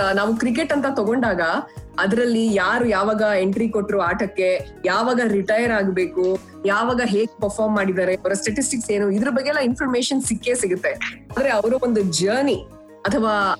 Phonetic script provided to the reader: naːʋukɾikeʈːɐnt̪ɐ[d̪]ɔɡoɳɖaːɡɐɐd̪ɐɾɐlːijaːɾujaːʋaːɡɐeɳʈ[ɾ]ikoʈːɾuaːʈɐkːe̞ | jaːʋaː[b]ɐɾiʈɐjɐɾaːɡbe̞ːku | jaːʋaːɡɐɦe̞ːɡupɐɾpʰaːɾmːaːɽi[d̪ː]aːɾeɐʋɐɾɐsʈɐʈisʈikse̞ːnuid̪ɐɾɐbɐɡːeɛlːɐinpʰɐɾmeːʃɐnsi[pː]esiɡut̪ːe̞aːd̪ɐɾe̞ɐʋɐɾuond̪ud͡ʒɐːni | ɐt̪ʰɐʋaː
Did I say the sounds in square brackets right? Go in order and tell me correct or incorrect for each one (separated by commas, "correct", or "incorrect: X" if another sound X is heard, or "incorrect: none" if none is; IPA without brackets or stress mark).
incorrect: t̪, correct, incorrect: ɡ, incorrect: d̪, incorrect: kː